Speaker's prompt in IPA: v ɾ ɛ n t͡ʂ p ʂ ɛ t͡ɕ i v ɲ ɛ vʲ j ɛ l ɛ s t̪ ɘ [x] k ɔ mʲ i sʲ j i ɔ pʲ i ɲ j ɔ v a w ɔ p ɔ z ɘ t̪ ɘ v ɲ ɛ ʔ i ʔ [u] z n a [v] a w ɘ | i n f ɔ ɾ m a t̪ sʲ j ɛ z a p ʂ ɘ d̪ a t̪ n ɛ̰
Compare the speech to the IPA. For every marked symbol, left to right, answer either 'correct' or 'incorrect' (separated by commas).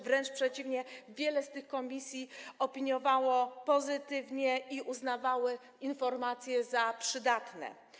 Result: correct, correct, correct